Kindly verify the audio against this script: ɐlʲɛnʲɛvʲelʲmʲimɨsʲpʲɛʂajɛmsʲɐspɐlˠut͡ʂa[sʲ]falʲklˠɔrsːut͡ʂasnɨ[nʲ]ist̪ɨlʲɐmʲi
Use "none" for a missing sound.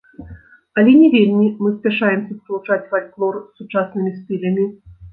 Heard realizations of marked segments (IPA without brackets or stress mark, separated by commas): t͡sʲ, mʲ